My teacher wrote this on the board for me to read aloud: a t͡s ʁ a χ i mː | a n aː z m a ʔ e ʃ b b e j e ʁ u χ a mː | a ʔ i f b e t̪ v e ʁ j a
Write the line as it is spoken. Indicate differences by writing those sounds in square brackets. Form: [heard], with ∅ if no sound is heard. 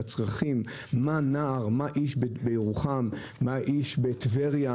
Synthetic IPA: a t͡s ʁ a χ i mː | a n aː [ʁ] m a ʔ [i] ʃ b b e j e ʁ u χ a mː | a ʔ i [ʃ] b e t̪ v e ʁ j a